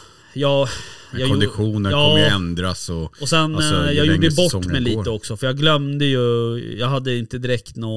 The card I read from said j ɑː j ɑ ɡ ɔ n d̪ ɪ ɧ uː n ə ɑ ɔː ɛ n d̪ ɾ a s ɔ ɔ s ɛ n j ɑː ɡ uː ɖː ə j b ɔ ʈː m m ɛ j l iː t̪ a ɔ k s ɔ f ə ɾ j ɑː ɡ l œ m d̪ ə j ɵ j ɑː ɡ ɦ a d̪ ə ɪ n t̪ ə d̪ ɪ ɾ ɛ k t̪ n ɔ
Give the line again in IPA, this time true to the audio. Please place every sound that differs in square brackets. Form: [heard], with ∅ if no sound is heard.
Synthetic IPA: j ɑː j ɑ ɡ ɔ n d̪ ɪ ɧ uː n ə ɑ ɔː ɛ n d̪ ɾ a s ɔ ɔ s ɛ n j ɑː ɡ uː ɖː ə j b ɔ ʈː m m ɛ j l iː t̪ [ə] ɔ k s ɔ f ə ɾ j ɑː ɡ l œ m d̪ ə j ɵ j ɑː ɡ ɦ a [d̪ː] ə ɪ n t̪ ə d̪ ɪ ɾ ɛ k t̪ n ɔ